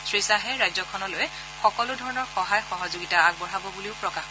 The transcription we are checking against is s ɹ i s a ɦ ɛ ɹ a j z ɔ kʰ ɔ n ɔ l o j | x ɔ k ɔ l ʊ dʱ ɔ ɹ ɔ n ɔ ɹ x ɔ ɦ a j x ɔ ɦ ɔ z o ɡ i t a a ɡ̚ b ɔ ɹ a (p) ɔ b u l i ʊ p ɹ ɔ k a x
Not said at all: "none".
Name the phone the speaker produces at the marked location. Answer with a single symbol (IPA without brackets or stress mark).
b